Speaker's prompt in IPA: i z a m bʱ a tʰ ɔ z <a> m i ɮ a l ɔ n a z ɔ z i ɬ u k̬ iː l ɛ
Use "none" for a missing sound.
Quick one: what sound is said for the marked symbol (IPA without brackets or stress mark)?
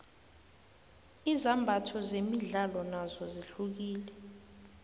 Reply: e